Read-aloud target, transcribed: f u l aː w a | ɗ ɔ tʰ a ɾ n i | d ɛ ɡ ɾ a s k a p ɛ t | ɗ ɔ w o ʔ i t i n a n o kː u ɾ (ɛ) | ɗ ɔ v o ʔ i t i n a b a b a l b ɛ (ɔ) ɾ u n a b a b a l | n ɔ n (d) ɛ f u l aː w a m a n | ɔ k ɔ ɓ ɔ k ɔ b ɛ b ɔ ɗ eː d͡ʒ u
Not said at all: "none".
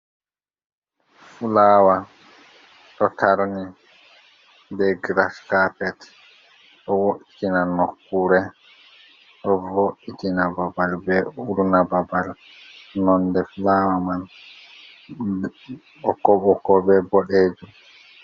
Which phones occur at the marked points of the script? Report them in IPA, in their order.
ɛ, u, d

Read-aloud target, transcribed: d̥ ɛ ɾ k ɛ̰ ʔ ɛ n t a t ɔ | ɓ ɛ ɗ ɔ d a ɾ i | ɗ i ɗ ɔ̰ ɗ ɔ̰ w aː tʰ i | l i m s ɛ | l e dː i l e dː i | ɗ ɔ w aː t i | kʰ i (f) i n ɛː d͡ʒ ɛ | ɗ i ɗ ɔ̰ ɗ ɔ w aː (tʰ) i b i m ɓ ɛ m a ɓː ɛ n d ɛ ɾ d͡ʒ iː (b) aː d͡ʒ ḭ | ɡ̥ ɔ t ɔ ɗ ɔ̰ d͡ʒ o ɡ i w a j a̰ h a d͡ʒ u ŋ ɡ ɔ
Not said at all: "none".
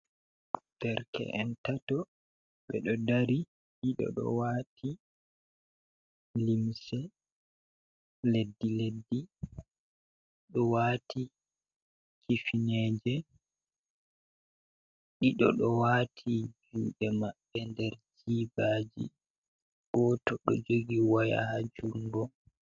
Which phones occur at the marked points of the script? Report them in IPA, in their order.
f, tʰ, b

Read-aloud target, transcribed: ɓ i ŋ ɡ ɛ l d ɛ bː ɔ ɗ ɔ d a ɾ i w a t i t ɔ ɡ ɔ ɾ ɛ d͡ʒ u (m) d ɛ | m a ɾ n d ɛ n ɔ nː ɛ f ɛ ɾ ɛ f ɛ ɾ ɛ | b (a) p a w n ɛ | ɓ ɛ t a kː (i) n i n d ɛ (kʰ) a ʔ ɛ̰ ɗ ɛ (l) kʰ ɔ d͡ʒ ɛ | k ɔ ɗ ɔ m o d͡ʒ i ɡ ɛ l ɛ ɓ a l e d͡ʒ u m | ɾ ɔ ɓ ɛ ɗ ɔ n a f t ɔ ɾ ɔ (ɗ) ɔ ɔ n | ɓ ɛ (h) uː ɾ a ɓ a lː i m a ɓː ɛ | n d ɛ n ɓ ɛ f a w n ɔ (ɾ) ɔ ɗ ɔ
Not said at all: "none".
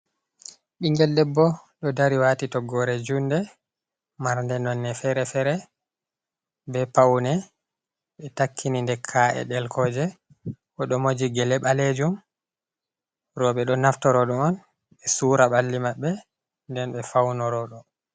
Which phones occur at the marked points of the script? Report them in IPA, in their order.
n, ɛ, i, kʰ, l, ɗ, s, ɾ

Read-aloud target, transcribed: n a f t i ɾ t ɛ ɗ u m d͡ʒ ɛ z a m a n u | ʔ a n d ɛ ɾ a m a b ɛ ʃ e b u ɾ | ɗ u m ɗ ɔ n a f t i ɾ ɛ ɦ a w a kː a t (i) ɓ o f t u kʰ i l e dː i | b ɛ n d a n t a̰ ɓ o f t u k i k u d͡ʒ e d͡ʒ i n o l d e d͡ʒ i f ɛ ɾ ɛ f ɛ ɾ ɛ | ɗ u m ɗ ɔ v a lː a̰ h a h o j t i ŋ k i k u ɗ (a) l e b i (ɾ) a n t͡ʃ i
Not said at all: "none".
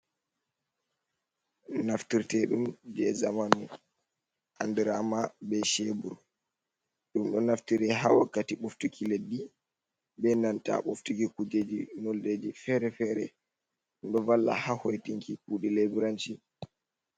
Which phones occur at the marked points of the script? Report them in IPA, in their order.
i, i, ɾ

